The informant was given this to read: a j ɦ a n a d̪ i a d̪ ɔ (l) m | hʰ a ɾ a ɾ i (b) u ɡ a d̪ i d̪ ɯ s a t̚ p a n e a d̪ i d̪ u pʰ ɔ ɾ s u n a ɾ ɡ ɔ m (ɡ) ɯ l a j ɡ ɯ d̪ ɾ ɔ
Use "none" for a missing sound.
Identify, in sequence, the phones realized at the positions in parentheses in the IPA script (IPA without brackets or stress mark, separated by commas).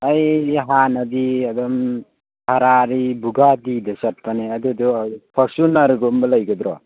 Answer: none, b, b